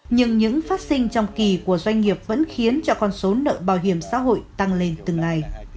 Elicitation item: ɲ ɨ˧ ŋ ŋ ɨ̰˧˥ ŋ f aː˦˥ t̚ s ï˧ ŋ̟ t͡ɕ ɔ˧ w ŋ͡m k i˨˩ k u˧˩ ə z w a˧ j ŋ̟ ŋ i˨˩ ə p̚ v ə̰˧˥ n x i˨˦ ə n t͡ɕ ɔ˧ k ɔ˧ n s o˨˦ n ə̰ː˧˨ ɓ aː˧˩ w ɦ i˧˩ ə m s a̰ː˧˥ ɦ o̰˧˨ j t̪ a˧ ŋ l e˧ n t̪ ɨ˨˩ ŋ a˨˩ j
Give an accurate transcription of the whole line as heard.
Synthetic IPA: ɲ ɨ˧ ŋ ɲ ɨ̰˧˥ ŋ f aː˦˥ t̚ s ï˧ ŋ̟ t͡ɕ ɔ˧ w ŋ͡m k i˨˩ k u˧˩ ə z w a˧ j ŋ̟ ŋ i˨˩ ə p̚ v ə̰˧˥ n x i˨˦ ə n t͡ɕ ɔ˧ k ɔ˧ n s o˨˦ n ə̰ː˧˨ ɓ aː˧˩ w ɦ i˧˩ ə m s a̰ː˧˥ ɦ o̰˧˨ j t̪ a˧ ŋ l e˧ n t̪ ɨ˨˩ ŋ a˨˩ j

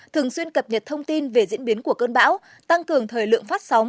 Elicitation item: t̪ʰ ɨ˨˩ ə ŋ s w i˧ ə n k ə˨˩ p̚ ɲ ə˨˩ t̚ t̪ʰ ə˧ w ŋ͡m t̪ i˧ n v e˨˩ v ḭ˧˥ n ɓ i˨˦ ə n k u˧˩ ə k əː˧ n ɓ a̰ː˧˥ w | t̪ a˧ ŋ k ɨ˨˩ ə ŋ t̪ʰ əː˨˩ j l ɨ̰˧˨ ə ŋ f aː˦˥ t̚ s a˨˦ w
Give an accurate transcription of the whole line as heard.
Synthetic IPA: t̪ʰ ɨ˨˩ ə ŋ s w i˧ ə n k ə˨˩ p̚ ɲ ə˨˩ t̚ t̪ʰ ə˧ w ŋ͡m t̪ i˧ n v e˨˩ z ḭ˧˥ n ɓ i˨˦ ə n k u˧˩ ə k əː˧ n ɓ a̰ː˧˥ w | t̪ a˧ ŋ k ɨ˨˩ ə ŋ t̪ʰ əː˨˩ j l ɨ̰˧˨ ə ŋ f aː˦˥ t̚ s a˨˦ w

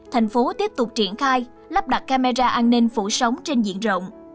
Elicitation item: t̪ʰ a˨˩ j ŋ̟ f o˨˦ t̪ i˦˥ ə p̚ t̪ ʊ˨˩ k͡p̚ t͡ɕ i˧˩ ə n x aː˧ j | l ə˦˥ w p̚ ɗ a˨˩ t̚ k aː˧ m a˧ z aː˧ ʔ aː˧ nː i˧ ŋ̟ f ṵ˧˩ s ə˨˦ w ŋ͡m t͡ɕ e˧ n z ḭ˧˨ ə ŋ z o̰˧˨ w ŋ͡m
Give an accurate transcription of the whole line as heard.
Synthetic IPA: t̪ʰ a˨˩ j ŋ̟ f o˨˦ t̪ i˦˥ ə p̚ t̪ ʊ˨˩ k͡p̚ t͡ɕ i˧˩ ə n x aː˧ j | l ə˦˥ p̚ ɗ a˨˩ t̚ k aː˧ m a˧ z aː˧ ʔ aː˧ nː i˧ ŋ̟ f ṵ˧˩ s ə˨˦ w ŋ͡m t͡ɕ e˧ n z ḭ˧˨ ə n z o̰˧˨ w ŋ͡m

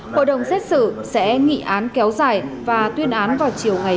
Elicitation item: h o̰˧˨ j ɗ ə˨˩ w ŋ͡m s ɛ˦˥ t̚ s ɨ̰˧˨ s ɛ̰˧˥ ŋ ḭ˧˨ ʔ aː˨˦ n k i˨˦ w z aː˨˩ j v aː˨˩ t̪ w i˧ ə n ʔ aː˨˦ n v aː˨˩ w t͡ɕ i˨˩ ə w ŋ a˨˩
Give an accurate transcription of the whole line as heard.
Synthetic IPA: h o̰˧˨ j ɗ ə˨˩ w ŋ͡m s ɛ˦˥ t̚ s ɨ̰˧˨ s ɛ̰˧˥ ŋ ḭ˧˨ ʔ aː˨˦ n k ɛ˨˦ w z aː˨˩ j v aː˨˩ t̪ w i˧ ə n ʔ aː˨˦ n v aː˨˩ w t͡ɕ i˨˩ ə w ŋ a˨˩

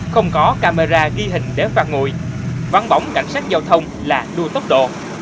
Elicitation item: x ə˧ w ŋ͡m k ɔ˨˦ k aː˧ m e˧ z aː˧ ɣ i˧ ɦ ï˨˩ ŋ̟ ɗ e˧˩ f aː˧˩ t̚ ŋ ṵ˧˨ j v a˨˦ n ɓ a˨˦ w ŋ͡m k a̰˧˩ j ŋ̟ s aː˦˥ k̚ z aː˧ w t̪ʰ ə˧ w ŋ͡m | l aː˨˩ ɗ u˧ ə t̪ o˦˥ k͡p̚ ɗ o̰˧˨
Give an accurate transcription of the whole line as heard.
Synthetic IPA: x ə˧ w ŋ͡m k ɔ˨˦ k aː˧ m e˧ z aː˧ ɣ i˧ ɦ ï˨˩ ŋ̟ ɗ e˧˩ f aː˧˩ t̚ ŋ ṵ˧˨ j v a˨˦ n ɓ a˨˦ w ŋ͡m k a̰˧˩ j ŋ̟ s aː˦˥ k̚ z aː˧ w t̪ʰ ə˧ w ŋ͡m | l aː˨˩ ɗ u˧ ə t̪ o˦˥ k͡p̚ ɗ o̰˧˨

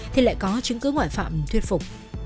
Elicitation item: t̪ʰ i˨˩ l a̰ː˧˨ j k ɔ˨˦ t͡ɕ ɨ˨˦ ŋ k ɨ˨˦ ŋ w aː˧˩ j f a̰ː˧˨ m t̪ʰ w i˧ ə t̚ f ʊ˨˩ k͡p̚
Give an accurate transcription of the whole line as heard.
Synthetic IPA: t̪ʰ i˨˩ l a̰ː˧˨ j k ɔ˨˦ t͡ɕ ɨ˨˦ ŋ k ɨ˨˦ ŋ w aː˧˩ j f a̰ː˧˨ m t̪ʰ w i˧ ə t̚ f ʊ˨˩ k͡p̚

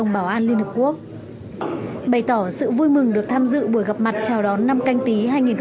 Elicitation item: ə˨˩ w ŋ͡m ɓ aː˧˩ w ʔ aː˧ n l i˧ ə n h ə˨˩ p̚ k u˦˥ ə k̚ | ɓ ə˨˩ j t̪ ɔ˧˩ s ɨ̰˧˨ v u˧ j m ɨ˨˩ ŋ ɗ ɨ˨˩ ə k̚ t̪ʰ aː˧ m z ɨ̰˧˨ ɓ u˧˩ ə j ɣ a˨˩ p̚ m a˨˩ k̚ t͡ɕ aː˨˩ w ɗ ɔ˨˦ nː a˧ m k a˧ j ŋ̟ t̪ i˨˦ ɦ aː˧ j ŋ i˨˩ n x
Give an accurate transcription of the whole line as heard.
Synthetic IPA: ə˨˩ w ŋ͡m ɓ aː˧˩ w ʔ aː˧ n l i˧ ə n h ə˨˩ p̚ k u˦˥ ə k̚ | ɓ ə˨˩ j t̪ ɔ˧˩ s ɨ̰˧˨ v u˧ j m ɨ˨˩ ŋ ɗ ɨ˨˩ ə k̚ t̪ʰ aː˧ m z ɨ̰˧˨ ɓ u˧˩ ə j ɣ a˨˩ p̚ m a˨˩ t̚ t͡ɕ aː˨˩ w ɗ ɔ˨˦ nː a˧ m k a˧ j ŋ̟ t̪ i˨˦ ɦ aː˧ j ŋ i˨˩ n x

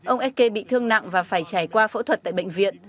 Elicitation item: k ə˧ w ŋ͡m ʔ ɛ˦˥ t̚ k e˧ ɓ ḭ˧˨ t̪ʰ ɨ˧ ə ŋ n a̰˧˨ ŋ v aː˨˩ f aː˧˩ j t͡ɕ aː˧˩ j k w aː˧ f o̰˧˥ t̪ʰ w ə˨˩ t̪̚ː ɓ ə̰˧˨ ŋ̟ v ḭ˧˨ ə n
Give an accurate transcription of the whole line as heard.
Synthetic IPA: ʔ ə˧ w ŋ͡m ʔ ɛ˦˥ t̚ k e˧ ɓ ḭ˧˨ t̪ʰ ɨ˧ ə ŋ n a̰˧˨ ŋ v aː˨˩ f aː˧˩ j t͡ɕ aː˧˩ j k w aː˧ f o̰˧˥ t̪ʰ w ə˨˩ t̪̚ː ɓ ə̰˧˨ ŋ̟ v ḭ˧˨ ə n

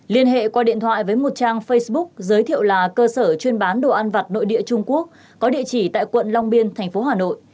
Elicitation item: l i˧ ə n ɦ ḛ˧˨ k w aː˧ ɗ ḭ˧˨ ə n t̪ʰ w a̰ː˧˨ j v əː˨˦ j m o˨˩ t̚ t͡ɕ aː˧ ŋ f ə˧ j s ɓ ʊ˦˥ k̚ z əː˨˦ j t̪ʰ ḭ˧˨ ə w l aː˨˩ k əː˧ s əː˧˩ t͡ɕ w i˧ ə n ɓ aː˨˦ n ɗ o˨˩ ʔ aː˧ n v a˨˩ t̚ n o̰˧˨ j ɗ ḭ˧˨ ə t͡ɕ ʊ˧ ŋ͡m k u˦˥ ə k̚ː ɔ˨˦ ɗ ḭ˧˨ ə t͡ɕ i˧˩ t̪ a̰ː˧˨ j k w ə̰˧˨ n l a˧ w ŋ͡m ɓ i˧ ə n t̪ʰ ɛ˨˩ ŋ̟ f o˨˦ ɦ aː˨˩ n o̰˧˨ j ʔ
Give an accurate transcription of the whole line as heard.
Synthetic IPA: l i˧ ə n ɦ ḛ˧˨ k w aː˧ ɗ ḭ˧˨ ə n t̪ʰ w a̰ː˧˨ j v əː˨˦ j m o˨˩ t̚ t͡ɕ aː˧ ŋ f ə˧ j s ɓ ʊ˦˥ k̚ z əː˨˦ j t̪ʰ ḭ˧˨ ə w l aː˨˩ k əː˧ s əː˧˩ t͡ɕ w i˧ ə n ɓ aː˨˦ n ɗ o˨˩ ʔ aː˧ n v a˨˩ t̚ n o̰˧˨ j ɗ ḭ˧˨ ə t͡ɕ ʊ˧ ŋ͡m k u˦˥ ə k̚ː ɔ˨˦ ɗ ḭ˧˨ ə t͡ɕ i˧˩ t̪ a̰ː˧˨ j k w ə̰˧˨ n l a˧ w ŋ͡m ɓ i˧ ə n t̪ʰ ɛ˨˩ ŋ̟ f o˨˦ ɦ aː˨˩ n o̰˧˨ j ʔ

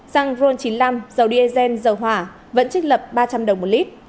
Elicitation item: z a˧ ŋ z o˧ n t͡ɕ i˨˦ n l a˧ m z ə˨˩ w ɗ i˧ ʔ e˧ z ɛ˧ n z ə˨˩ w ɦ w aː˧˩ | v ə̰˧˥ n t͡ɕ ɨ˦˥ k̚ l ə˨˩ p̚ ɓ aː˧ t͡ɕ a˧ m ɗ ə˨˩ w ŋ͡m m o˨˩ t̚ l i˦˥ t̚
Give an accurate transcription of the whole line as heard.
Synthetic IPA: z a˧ ŋ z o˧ n t͡ɕ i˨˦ n l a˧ m z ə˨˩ w ɗ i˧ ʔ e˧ z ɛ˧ n z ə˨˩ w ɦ w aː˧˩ | v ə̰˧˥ n t͡ɕ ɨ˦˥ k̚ l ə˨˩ p̚ ɓ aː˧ t͡ɕ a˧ m ɗ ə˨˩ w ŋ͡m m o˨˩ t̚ l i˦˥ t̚

